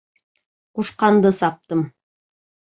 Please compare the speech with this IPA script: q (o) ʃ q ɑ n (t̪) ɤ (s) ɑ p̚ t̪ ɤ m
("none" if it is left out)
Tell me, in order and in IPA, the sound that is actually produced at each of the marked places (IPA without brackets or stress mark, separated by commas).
u, d̪, s